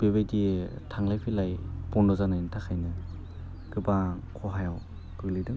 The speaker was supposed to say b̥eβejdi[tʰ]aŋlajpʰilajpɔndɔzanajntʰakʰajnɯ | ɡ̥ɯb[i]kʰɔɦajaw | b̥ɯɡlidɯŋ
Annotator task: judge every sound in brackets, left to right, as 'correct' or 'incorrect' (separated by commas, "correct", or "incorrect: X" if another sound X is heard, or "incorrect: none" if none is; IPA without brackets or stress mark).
correct, incorrect: a